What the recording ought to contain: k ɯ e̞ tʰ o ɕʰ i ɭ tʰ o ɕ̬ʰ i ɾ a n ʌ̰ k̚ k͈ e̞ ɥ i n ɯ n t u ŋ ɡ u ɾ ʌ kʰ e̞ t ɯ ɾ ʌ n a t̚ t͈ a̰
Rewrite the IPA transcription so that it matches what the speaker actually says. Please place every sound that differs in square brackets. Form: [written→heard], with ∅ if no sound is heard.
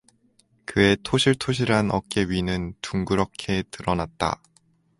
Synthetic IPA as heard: k ɯ e̞ tʰ o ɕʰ i ɭ tʰ o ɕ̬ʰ i ɾ a n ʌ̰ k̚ k͈ e̞ ɥ i n ɯ n t u ŋ ɡ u ɾ ʌ kʰ e̞ t ɯ ɾ ʌ n a t̚ t͈ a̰

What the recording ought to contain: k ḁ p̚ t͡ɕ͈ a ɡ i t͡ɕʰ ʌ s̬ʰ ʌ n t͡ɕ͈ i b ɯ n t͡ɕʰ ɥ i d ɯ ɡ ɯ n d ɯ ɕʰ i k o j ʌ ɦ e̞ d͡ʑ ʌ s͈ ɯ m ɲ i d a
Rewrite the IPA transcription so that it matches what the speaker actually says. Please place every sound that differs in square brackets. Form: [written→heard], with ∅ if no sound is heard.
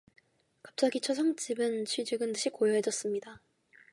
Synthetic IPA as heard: k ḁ p̚ t͡ɕ͈ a ɡ i t͡ɕʰ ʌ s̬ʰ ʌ [n→ŋ] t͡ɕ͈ i b ɯ n t͡ɕʰ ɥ i [d→d͡ʑ] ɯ ɡ ɯ n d ɯ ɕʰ i k o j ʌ ɦ e̞ d͡ʑ ʌ s͈ ɯ m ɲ i d a

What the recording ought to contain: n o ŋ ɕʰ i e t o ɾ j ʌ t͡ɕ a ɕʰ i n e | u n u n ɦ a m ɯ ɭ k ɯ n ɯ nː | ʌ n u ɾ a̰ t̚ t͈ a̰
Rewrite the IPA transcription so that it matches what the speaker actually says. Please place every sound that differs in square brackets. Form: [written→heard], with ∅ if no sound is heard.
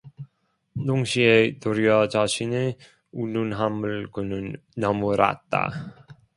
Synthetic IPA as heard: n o ŋ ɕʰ i e t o ɾ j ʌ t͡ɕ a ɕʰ i n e | u n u n ɦ a m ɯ ɭ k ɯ n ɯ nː | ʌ [n→m] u ɾ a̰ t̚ t͈ a̰

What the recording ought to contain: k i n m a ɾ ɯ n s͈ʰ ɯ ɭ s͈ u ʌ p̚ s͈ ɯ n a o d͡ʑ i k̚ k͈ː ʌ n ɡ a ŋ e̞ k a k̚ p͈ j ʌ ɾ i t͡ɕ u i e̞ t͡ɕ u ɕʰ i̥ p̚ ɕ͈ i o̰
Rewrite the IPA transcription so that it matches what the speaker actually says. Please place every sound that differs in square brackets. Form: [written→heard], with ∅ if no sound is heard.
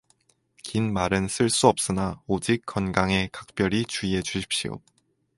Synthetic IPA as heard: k i n m a ɾ ɯ n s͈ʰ ɯ ɭ s͈ u ʌ p̚ s͈ ɯ n a o d͡ʑ i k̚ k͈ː ʌ n ɡ a ŋ e̞ k a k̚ p͈ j ʌ ɾ i t͡ɕ u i e̞ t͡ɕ u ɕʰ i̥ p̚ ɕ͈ i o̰

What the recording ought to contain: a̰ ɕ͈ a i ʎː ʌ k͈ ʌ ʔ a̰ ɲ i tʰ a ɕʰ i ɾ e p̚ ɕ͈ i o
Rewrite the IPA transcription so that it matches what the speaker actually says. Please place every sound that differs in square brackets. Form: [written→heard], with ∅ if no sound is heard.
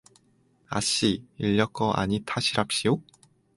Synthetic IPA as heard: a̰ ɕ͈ [a→i] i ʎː ʌ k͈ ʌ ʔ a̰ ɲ i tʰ a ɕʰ i ɾ [e→a] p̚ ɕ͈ i o

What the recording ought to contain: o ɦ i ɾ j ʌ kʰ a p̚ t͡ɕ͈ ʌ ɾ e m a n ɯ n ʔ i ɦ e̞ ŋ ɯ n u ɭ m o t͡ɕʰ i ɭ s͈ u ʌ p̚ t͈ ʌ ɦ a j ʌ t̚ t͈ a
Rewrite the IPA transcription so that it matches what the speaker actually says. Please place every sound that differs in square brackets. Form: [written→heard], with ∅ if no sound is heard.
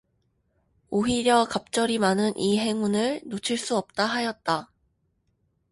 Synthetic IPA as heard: o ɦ i ɾ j ʌ [kʰ→k] a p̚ t͡ɕ͈ ʌ ɾ [e→i] m a n ɯ n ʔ i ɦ e̞ ŋ [ɯ→u] n [u→ɯ] ɭ [m→n] o t͡ɕʰ i ɭ s͈ u ʌ p̚ t͈ [ʌ→a] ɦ a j ʌ t̚ t͈ a

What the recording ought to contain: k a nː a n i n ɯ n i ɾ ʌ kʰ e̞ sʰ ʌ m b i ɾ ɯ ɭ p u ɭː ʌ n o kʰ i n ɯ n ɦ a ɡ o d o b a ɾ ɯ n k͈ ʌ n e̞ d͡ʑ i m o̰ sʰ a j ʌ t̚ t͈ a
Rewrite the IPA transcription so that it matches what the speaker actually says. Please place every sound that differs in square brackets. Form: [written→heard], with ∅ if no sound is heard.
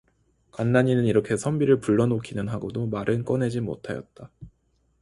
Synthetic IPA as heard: k a nː a [n→ɲ] i n ɯ n i ɾ ʌ kʰ e̞ sʰ ʌ m b i ɾ ɯ ɭ p u ɭː ʌ n o kʰ i n ɯ n ɦ a ɡ o d o [b→m] a ɾ ɯ n k͈ ʌ n e̞ d͡ʑ i m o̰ [sʰ→tʰ] a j ʌ t̚ t͈ a

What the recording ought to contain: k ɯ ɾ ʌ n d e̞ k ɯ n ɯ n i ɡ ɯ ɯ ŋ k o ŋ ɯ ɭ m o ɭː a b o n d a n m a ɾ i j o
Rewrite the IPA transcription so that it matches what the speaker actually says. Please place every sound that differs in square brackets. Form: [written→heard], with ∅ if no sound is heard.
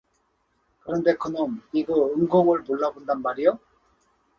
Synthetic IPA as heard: k ɯ ɾ ʌ n d e̞ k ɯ n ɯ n i ɡ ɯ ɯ ŋ [k→ɡ] o ŋ ɯ ɭ m o ɭː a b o n d a n m a ɾ i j o

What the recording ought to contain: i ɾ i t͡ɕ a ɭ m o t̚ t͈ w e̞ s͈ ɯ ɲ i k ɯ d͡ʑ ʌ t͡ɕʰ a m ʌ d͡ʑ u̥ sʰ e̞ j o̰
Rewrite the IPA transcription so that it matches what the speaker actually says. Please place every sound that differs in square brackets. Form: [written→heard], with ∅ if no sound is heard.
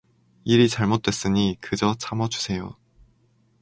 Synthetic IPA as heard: i ɾ i t͡ɕ a ɭ m o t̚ t͈ w e̞ s͈ ɯ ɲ i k ɯ d͡ʑ ʌ t͡ɕʰ a m ʌ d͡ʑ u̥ sʰ e̞ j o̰

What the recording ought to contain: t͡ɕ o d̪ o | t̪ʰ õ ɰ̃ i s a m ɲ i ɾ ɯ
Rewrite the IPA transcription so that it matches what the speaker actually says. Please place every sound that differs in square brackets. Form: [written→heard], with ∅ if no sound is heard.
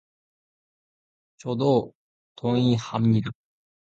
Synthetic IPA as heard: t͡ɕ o d̪ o | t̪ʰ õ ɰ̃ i [s→h] a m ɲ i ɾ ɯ

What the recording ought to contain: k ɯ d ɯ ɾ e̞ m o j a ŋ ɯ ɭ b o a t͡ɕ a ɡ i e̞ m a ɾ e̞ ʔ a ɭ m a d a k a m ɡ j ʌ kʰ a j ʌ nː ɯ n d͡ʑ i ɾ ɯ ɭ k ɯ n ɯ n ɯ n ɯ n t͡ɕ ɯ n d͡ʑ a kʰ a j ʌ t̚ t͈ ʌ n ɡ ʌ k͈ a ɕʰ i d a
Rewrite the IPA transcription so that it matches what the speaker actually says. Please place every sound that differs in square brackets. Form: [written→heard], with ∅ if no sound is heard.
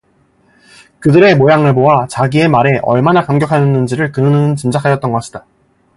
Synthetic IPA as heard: k ɯ d ɯ ɾ e̞ m o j a ŋ ɯ ɭ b o a t͡ɕ a ɡ i e̞ m a ɾ e̞ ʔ [a→ʌ] ɭ m a [d→n] a k a m ɡ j ʌ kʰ a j ʌ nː ɯ n d͡ʑ i ɾ ɯ ɭ k ɯ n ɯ n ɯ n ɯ n t͡ɕ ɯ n d͡ʑ a kʰ a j ʌ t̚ t͈ ʌ n ɡ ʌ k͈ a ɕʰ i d a

